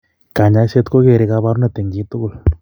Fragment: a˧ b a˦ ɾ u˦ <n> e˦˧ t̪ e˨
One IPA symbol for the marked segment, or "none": n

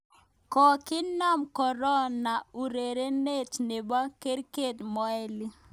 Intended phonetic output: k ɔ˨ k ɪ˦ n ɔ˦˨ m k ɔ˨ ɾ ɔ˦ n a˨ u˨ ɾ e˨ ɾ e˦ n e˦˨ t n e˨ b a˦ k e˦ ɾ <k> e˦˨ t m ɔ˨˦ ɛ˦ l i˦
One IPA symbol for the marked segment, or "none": k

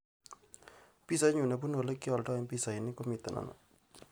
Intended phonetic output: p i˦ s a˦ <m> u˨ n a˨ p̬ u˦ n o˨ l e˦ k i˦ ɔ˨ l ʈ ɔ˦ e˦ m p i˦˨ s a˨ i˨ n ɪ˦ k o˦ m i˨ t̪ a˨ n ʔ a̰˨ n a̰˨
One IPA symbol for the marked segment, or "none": ɲ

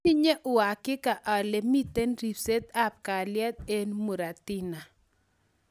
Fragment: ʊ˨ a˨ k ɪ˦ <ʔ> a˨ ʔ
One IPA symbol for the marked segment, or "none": k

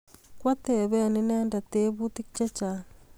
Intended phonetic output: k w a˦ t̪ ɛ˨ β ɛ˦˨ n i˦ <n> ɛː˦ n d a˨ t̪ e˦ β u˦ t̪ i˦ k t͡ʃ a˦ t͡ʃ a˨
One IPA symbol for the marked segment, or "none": n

